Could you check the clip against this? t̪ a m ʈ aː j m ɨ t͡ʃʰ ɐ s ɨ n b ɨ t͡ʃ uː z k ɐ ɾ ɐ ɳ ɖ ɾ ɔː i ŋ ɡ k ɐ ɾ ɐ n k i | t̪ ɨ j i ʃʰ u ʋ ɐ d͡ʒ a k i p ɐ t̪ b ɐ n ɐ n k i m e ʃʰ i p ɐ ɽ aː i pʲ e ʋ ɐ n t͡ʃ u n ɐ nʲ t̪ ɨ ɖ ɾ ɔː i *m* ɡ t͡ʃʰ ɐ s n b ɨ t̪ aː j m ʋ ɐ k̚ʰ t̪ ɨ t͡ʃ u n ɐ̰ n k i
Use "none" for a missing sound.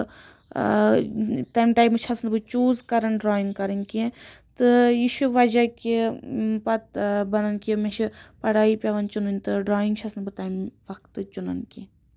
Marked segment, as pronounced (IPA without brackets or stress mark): ŋ